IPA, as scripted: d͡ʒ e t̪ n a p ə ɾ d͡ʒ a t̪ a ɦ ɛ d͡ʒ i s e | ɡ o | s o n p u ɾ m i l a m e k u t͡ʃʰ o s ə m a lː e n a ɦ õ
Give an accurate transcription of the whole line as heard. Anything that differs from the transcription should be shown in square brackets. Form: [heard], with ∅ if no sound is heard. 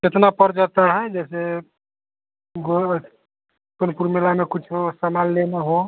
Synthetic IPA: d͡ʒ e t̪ n a p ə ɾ d͡ʒ a t̪ a ɦ ɛ d͡ʒ [ɛ] s e | ɡ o | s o n p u ɾ m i l a m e k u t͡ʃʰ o s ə m a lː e n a ɦ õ

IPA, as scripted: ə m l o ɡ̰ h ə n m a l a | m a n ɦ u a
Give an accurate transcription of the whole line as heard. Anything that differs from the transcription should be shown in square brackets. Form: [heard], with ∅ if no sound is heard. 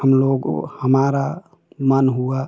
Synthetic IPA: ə m l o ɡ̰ h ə [∅] m a [ɾ] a | m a n ɦ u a

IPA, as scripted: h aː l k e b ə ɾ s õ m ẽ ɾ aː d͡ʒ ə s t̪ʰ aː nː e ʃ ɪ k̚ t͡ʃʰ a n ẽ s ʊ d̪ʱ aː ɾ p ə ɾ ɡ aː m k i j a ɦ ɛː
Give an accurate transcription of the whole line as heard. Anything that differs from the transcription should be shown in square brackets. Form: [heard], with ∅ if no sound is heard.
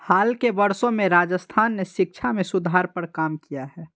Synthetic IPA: h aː l k e b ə ɾ s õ m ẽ ɾ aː d͡ʒ ə s t̪ʰ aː nː e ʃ ɪ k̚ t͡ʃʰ a [m] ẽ s ʊ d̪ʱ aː ɾ p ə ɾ [k] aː m k i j a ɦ ɛː

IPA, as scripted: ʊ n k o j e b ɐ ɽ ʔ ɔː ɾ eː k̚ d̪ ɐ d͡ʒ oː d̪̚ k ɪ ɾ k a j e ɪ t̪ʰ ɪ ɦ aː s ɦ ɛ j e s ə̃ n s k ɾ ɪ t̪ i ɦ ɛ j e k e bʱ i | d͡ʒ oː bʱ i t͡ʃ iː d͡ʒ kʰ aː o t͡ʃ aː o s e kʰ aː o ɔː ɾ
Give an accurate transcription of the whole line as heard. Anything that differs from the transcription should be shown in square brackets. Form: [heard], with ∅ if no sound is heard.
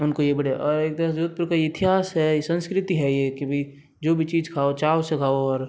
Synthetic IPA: ʊ n k o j e b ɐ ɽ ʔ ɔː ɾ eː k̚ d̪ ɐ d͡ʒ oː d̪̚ [p] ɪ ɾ k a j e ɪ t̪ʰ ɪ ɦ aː s ɦ ɛ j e s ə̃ n s k ɾ ɪ t̪ i ɦ ɛ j e k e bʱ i | d͡ʒ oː bʱ i t͡ʃ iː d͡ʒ kʰ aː o t͡ʃ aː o s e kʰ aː o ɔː ɾ

